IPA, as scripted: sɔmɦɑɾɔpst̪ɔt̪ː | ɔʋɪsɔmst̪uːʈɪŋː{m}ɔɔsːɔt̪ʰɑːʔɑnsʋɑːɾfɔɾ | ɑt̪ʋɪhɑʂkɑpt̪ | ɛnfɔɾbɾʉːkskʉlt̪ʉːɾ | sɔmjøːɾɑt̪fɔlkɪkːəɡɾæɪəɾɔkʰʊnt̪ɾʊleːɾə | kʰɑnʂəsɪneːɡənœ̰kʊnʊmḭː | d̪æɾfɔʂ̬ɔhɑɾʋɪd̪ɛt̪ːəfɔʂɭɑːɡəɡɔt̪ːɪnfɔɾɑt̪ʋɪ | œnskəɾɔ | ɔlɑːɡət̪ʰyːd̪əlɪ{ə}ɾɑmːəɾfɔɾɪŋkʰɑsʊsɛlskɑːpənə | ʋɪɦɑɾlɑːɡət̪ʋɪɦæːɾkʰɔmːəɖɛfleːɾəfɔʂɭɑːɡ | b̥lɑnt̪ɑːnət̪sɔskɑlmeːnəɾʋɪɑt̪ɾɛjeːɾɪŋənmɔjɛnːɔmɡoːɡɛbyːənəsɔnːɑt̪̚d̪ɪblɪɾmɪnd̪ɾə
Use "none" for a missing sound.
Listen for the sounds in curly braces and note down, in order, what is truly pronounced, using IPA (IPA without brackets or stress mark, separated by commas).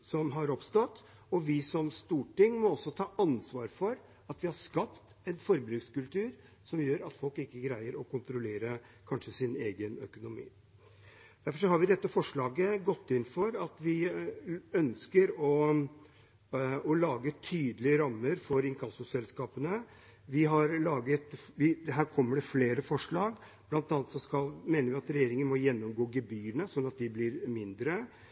m, ə